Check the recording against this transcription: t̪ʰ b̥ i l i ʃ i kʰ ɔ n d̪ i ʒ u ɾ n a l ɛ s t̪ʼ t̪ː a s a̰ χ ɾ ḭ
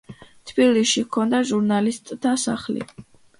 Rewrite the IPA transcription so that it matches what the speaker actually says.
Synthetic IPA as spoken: t̪ʰ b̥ i l i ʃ i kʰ ɔ n d̪ a ʒ u ɾ n a l i s t̪ʼ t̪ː a s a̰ χ l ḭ